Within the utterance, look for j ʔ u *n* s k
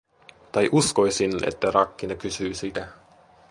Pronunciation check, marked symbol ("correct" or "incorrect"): incorrect